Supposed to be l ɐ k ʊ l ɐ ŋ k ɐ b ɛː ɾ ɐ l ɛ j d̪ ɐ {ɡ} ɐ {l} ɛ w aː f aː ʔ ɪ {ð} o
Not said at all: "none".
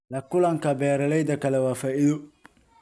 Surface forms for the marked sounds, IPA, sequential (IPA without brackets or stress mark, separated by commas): k, l, ð